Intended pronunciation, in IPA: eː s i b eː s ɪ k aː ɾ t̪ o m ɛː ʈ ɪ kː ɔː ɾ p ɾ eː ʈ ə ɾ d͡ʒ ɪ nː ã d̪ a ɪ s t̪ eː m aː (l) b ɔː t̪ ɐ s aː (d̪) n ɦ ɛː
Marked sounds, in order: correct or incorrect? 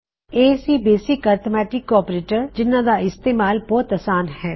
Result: correct, incorrect: none

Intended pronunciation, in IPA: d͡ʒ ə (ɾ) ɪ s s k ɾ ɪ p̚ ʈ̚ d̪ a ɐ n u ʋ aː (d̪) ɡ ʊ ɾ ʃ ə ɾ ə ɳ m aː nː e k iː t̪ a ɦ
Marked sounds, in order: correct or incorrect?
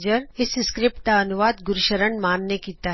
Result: correct, correct

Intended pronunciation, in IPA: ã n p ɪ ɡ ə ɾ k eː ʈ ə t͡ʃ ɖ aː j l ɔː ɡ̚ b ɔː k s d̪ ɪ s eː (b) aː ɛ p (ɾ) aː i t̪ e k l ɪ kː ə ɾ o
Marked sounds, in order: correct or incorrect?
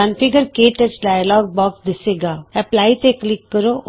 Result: incorrect: ɡ, incorrect: l

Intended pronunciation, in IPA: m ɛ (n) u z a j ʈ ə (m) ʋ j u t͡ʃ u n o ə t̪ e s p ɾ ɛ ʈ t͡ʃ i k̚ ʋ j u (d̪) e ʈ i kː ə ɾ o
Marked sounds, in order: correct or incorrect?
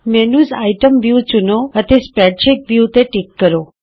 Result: correct, correct, incorrect: t̪

